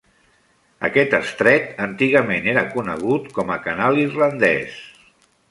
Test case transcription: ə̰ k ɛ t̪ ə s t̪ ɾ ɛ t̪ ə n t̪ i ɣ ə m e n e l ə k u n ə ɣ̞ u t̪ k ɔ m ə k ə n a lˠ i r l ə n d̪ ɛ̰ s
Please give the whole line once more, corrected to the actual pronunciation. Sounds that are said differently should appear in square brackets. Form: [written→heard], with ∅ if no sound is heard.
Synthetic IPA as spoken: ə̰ k ɛ t̪ ə s t̪ ɾ ɛ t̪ ə n t̪ i ɣ ə m e n e [l→ɾ] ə k u n ə ɣ̞ u t̪ k ɔ m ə k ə n a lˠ i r l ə n d̪ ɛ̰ s

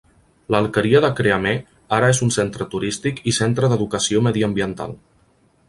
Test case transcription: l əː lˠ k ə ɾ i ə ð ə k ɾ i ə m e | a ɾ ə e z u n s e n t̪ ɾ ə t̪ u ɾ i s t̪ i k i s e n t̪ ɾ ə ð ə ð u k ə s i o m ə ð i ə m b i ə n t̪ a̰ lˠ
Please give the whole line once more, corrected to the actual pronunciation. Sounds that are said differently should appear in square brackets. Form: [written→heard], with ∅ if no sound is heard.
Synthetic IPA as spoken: l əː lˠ k ə ɾ i ə ð ə k ɾ [i→e] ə m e | a ɾ ə e z u n s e n t̪ ɾ ə t̪ u ɾ i s t̪ i k i s e n t̪ ɾ ə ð ə ð u k ə s i o m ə ð i ə m b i ə n t̪ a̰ lˠ

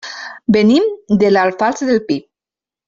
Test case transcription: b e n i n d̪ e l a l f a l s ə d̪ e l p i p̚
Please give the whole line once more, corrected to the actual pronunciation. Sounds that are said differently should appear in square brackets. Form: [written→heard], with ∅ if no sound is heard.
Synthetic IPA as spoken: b e n i [n→m] d̪ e l a l f a l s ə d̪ e l p i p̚

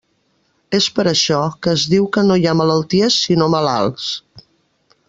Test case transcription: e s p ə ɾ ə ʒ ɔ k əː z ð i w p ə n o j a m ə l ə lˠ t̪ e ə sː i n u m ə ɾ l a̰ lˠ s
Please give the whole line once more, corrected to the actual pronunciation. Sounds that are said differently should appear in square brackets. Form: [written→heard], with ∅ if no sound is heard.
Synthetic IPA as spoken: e s p ə ɾ ə [ʒ→ʃ] ɔ k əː z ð i w [p→k] ə n o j a m ə l ə lˠ t̪ [e→i] ə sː i n [u→o] m ə [ɾ→∅] l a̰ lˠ s

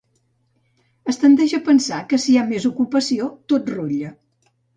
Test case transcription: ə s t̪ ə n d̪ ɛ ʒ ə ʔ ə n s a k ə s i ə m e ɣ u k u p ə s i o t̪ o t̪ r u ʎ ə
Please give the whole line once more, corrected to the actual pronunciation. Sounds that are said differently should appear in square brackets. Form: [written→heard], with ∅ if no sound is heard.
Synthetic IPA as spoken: ə s t̪ ə n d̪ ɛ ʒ ə [ʔ→p] ə n s a k ə s i [ə→a] m e [ɣ→z] u k u p ə s i o t̪ o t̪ r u ʎ ə

